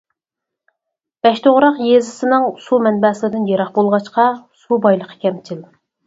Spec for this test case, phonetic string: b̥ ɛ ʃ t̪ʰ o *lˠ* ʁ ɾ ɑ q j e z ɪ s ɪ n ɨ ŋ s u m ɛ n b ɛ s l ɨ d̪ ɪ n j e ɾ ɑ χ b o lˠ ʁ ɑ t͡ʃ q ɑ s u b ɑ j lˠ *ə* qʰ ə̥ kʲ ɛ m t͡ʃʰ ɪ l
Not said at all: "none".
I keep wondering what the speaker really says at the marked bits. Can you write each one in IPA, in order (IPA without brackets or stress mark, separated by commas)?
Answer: none, ə